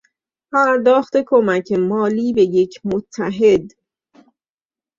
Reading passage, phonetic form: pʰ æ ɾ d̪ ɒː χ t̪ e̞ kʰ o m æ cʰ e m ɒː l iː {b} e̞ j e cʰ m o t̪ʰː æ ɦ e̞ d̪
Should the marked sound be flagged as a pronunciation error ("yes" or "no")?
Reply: no